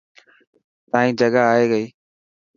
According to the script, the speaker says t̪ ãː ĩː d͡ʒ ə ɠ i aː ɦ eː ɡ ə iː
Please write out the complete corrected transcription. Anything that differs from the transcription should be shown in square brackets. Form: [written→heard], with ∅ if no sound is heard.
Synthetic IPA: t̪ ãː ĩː d͡ʒ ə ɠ [i→a] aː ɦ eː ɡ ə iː